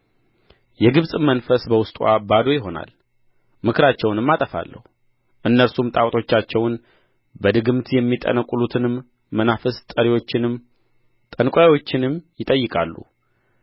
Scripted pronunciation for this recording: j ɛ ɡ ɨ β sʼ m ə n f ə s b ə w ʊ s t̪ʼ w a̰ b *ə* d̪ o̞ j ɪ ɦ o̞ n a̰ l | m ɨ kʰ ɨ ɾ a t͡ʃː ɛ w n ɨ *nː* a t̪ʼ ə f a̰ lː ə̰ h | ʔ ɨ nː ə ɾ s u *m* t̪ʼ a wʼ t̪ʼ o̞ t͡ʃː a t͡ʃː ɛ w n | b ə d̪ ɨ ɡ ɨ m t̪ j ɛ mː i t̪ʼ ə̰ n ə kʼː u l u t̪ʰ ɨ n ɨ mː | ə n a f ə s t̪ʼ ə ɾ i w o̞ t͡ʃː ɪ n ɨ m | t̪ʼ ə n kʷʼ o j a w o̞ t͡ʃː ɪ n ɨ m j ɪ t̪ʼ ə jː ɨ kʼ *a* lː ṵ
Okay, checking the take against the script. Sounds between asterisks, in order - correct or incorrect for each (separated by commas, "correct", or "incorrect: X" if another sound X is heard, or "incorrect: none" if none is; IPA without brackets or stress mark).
incorrect: a, incorrect: mː, correct, correct